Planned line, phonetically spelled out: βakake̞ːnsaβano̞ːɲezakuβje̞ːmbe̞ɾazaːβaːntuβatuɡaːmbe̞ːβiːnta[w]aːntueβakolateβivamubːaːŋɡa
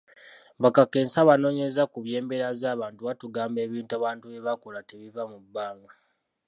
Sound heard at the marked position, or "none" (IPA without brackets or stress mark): β